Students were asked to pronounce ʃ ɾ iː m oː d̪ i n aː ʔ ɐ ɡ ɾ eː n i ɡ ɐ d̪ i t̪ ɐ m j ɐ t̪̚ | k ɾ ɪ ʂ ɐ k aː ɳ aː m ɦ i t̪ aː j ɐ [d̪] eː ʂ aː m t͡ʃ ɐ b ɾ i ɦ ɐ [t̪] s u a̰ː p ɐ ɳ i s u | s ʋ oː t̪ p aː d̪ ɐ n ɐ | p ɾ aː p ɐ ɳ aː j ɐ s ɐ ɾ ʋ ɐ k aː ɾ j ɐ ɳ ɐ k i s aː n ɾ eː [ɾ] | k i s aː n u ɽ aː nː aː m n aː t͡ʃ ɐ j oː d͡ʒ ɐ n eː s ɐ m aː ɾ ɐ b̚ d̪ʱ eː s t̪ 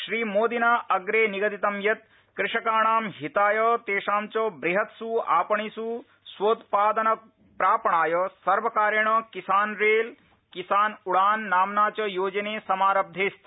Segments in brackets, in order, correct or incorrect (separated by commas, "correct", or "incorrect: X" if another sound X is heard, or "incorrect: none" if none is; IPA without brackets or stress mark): incorrect: t̪, correct, incorrect: l